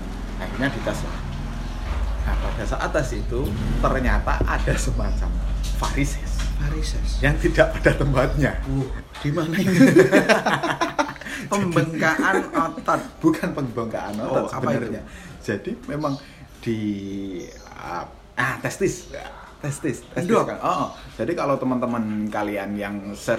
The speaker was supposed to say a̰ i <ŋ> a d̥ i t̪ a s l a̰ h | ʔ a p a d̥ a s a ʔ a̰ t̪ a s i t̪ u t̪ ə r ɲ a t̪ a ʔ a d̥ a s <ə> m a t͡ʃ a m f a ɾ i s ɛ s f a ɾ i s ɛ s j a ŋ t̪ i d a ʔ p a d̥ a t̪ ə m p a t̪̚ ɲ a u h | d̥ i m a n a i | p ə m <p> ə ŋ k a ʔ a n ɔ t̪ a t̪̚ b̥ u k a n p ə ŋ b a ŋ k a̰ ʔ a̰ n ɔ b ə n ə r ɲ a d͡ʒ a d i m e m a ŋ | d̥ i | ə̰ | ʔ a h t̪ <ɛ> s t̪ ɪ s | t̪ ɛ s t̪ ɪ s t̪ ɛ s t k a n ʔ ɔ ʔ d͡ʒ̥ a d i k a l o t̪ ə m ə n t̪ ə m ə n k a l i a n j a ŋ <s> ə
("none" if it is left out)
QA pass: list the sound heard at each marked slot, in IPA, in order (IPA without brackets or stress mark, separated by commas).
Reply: ɲ, ə, b, ɛ, s